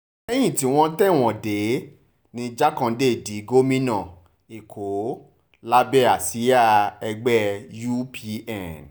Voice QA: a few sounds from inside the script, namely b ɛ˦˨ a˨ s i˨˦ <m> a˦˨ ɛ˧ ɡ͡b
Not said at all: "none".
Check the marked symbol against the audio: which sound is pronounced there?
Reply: none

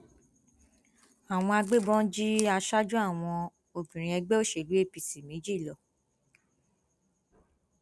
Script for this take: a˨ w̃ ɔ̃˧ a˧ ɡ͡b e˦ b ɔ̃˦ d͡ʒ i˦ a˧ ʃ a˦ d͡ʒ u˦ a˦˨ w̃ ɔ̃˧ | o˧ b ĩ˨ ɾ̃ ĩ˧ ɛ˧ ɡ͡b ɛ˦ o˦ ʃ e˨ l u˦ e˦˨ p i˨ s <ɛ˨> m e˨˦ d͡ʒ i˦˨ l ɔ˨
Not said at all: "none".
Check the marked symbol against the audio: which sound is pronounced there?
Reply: i˨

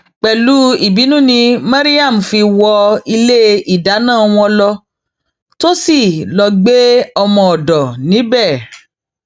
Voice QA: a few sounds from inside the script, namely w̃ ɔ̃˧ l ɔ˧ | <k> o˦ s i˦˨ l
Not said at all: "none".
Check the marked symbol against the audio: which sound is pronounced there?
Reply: t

